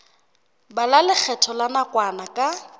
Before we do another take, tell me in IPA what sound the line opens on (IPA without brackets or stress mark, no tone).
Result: b